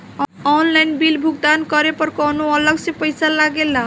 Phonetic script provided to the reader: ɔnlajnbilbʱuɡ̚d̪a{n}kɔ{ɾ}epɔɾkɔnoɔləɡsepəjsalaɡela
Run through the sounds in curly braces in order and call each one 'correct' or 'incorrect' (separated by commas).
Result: correct, correct